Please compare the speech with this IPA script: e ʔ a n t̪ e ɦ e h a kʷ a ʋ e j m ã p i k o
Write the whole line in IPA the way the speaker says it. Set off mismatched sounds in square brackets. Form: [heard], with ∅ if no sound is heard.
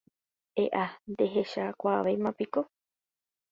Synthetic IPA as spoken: e ʔ a n [d̪] e ɦ e [ʃ] a kʷ a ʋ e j m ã p i k o